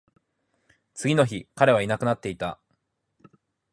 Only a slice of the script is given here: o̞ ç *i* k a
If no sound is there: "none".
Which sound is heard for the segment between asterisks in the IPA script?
i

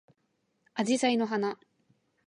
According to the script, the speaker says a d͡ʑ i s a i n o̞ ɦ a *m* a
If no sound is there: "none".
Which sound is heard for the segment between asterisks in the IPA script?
n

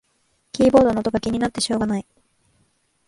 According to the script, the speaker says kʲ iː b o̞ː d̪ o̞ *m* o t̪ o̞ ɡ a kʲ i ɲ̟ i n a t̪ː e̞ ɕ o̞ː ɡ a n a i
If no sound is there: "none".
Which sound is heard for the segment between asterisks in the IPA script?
n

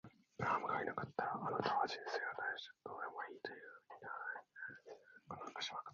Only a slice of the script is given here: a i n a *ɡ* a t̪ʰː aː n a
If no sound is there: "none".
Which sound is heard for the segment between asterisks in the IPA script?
k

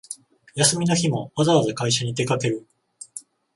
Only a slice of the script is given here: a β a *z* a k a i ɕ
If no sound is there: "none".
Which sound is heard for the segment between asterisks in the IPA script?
z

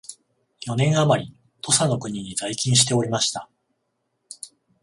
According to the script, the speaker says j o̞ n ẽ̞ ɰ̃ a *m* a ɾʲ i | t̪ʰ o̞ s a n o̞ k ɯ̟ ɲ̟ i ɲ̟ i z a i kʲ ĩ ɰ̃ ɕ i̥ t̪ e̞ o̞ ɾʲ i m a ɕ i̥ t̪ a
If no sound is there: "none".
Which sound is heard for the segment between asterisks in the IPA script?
m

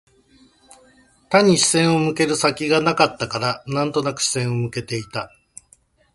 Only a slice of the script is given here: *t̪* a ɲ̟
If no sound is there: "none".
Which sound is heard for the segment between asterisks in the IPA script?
t̪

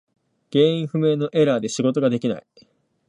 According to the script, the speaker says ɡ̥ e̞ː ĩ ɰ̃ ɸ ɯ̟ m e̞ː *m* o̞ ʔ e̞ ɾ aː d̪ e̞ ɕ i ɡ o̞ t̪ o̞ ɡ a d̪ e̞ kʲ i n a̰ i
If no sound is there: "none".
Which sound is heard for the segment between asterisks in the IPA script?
n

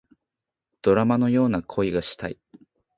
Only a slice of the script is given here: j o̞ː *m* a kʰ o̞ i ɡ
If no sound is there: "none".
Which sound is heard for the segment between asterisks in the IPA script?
n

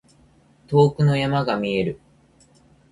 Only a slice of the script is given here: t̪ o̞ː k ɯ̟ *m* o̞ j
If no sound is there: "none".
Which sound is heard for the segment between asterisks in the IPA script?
n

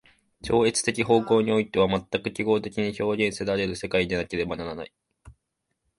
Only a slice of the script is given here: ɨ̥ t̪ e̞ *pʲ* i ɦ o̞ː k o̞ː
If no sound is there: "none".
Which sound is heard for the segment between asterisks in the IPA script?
kʲ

